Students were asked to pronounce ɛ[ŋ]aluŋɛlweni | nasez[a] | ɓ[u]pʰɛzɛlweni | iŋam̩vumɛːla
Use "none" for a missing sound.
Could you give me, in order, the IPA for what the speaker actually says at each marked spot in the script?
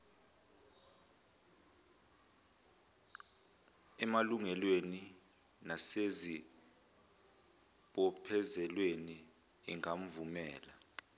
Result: m, i, ɔ

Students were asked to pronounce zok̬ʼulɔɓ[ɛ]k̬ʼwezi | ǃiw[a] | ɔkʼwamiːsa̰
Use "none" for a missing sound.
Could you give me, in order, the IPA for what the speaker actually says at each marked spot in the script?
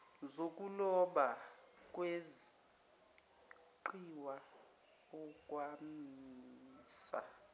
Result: a, a

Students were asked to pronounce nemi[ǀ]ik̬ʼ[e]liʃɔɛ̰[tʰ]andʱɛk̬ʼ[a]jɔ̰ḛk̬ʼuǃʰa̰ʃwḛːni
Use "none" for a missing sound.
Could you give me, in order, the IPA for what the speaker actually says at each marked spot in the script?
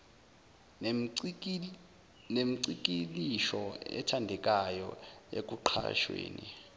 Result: ǀ, i, tʰ, a

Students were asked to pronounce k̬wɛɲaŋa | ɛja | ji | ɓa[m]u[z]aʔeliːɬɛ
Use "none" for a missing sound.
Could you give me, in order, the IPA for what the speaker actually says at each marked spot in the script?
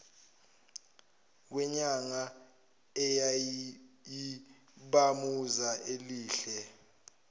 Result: m, z

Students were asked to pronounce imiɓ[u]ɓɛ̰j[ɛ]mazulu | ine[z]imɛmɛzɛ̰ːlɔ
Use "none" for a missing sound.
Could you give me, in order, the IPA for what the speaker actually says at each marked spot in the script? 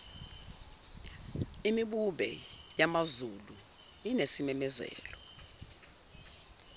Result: u, a, s

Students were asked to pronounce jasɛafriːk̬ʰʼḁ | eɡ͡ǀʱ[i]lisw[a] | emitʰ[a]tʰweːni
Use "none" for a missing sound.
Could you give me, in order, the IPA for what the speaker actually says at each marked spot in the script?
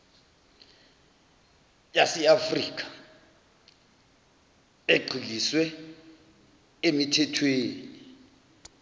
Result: i, ɛ, ɛ

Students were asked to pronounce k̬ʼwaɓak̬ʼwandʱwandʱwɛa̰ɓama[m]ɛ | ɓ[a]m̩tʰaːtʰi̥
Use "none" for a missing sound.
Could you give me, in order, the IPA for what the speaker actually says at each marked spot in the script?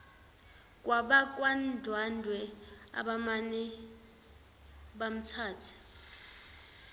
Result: n, a

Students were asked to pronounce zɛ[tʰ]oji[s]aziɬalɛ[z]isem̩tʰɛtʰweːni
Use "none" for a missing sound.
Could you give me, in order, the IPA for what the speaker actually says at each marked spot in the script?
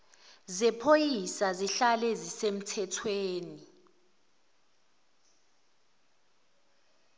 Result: pʰ, s, z

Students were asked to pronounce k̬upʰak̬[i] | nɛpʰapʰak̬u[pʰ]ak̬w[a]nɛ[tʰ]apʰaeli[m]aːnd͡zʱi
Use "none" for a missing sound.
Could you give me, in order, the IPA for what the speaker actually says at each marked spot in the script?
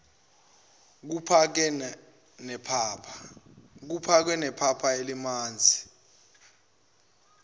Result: ɛ, pʰ, ɛ, pʰ, m

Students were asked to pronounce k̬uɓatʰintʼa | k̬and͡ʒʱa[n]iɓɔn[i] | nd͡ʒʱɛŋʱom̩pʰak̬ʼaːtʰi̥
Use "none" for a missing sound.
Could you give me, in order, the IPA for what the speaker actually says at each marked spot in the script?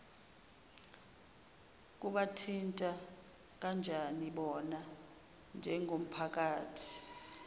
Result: n, a

